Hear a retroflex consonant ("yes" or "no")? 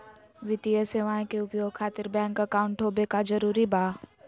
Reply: yes